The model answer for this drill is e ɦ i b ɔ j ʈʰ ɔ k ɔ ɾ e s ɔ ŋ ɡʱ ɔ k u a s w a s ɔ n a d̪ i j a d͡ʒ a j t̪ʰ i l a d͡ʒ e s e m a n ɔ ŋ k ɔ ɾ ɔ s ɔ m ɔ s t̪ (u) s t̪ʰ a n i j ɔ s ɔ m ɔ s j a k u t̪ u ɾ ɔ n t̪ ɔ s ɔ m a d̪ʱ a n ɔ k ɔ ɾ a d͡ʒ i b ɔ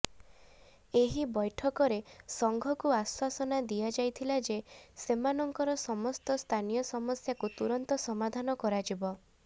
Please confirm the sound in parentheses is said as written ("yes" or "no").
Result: no